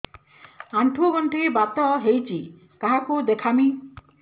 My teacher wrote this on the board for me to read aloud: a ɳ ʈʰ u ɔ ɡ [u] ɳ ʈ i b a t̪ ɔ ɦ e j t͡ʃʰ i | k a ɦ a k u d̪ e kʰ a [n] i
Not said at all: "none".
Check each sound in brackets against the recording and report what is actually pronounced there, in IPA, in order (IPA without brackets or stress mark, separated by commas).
ɔ, m